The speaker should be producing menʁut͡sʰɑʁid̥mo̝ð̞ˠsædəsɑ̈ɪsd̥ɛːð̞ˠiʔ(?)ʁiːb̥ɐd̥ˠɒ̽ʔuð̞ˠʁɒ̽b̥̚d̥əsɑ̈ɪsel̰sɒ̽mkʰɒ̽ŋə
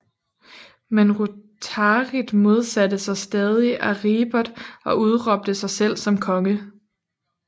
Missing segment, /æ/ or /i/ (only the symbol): æ